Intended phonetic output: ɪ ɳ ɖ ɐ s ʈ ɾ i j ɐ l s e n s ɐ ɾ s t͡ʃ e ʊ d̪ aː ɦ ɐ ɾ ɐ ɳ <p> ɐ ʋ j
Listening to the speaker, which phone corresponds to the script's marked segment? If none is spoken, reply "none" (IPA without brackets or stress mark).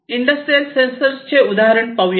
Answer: p